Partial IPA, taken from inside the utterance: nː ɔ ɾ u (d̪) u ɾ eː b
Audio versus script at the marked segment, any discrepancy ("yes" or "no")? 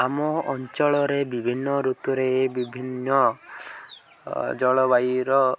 yes